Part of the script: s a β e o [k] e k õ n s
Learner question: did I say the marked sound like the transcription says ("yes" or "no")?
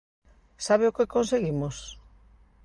yes